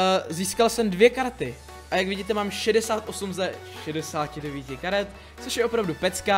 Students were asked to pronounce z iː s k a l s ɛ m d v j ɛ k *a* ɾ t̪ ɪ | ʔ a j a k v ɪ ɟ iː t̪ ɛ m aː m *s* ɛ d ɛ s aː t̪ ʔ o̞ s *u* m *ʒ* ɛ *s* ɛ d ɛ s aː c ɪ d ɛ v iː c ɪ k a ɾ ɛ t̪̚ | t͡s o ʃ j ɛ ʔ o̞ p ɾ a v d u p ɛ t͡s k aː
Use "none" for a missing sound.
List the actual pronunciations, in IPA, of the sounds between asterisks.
a, ʃ, u, z, ʃ

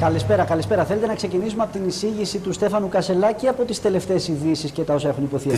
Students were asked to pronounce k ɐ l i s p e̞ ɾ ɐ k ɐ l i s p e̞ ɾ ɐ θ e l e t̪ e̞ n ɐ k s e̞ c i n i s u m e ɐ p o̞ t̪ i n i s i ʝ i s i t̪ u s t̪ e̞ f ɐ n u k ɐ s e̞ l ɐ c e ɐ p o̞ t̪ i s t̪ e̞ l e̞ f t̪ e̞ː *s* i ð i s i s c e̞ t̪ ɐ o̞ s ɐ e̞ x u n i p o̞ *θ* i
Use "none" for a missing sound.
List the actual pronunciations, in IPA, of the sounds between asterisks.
s, θ

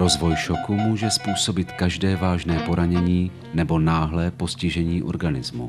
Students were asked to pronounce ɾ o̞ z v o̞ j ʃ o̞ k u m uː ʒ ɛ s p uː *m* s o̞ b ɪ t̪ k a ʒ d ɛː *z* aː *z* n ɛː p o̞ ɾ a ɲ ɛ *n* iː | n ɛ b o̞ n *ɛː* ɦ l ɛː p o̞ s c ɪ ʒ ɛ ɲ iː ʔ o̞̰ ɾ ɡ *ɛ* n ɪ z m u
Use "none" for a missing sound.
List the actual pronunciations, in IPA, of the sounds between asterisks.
none, v, ʒ, ɲ, aː, a

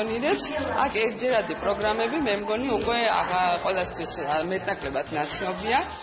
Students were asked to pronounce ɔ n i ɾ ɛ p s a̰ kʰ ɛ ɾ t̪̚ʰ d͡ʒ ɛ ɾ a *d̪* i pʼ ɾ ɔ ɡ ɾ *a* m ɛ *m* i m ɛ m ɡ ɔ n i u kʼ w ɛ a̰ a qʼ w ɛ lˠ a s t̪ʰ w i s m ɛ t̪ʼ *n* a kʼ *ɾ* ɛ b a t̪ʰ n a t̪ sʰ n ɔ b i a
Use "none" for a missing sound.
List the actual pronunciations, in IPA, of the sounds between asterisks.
d̪, a, b, n, l

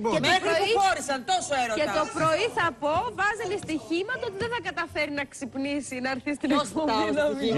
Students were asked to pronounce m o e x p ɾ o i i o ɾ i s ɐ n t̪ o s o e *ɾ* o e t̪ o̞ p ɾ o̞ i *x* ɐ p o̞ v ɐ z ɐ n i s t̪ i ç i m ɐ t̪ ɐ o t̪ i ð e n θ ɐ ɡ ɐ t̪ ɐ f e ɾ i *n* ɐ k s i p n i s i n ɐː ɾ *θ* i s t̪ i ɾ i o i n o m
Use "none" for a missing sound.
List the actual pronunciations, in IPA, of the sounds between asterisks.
ɾ, θ, n, θ

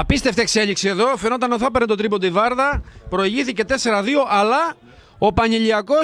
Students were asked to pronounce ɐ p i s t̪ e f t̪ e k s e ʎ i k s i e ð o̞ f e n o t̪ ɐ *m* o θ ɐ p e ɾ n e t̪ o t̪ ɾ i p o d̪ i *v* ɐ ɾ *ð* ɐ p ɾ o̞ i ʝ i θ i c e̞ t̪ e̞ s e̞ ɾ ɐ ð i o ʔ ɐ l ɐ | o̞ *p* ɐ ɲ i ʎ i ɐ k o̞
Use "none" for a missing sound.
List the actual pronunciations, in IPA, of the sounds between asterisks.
n, v, ð, p

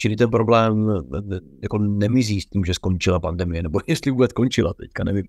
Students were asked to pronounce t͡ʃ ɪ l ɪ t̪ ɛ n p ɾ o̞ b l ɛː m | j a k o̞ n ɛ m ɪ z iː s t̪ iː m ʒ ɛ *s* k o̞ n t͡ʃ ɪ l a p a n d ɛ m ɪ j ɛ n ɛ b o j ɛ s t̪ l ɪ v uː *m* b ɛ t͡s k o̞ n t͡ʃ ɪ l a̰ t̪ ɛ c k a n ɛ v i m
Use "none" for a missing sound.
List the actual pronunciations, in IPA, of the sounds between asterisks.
s, none

